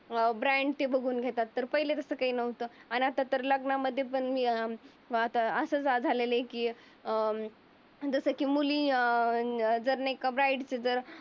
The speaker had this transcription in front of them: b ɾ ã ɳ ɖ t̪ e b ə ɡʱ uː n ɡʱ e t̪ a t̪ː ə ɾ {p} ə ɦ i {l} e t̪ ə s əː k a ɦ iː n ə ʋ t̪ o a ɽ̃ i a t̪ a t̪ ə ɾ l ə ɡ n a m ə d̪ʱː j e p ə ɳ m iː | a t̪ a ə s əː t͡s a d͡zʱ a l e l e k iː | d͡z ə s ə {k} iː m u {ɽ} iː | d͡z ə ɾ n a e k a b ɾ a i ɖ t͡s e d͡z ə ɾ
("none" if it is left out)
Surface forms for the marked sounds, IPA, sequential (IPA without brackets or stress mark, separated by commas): p, l, k, l